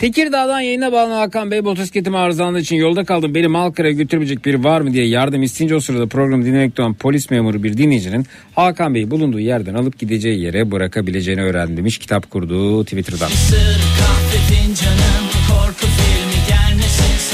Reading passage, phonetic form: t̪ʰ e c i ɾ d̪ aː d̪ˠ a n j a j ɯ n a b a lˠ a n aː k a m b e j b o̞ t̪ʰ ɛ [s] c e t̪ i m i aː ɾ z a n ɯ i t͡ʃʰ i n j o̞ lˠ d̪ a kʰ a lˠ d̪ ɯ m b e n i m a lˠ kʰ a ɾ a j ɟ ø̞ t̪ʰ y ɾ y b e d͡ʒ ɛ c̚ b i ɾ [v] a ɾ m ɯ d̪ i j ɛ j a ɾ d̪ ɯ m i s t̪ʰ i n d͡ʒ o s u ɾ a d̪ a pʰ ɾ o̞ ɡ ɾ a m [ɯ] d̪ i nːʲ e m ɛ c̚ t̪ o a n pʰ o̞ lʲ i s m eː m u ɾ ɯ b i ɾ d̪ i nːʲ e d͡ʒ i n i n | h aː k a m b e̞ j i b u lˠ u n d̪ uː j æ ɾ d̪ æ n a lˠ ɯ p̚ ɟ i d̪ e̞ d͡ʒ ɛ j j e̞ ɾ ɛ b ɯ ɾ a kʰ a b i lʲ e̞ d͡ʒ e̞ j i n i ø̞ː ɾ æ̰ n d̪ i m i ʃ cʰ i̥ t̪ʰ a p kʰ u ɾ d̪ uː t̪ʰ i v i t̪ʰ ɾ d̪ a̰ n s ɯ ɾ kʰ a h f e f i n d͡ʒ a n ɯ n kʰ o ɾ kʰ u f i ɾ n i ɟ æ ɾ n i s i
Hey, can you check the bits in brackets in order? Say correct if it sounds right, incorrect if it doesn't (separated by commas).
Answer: correct, correct, correct